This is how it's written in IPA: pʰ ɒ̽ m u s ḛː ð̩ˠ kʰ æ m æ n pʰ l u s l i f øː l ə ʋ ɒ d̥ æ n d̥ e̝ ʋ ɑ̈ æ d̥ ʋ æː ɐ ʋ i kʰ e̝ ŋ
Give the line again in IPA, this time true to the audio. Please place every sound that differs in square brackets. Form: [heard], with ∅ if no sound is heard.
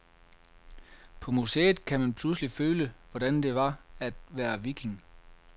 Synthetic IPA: pʰ ɒ̽ m u s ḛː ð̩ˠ kʰ æ m æ n pʰ l u s l i f øː l ə ʋ ɒ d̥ æ n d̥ e̝ ʋ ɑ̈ æ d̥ ʋ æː ɐ ʋ i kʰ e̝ ŋ